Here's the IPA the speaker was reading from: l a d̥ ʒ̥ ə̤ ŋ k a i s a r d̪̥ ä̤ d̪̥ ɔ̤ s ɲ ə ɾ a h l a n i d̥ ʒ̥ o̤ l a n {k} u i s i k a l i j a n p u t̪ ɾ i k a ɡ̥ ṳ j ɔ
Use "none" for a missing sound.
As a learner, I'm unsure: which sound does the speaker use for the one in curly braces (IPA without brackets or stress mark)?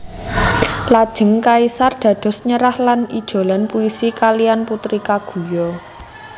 p